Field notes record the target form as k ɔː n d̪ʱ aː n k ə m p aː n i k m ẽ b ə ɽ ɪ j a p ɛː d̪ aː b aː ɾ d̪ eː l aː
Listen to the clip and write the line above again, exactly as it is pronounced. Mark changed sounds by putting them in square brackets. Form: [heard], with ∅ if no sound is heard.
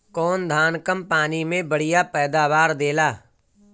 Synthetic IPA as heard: k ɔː n d̪ʱ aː n k ə m p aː n i [∅] m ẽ b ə ɽ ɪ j a p ɛː d̪ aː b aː ɾ d̪ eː l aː